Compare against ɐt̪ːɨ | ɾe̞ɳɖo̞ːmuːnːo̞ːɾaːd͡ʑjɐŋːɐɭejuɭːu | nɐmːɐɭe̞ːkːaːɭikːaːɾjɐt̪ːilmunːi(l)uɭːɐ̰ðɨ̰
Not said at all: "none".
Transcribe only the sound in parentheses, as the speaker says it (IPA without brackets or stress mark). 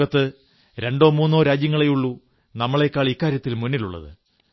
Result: l